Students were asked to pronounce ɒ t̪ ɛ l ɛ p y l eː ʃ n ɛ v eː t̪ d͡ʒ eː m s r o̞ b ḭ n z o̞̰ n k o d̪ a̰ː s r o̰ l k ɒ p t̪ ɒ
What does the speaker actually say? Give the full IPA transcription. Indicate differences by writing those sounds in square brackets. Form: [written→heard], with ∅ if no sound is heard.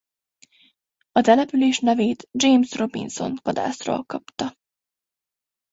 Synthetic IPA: ɒ t̪ ɛ l ɛ p y l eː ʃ n ɛ v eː t̪ d͡ʒ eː m s r o̞ b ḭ n [z→s] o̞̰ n k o d̪ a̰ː s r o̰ l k ɒ p t̪ ɒ